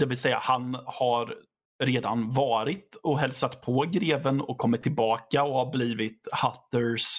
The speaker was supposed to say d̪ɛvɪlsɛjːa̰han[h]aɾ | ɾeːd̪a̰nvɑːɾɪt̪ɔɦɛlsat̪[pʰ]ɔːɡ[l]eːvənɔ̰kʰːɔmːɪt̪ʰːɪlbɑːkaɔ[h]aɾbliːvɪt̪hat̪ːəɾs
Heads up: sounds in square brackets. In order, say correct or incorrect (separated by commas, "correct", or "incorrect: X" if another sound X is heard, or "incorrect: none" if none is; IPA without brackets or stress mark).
correct, correct, incorrect: ɾ, correct